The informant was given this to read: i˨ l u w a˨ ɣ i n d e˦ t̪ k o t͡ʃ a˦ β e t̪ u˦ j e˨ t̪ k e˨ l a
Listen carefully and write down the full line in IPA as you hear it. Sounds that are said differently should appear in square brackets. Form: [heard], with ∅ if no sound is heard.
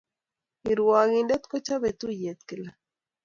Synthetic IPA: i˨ [ɾ] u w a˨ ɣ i n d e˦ t̪ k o t͡ʃ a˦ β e t̪ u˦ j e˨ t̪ k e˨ l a